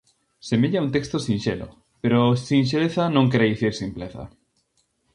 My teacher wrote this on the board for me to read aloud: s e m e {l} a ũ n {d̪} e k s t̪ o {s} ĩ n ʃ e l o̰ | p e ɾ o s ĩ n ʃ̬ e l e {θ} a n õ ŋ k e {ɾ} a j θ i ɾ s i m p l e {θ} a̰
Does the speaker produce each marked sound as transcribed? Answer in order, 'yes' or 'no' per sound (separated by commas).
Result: no, no, yes, yes, yes, yes